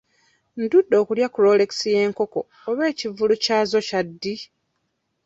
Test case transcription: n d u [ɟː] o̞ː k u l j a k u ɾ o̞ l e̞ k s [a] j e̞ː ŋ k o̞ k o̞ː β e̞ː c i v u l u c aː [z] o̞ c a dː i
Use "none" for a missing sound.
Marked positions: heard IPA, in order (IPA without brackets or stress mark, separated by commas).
dː, i, z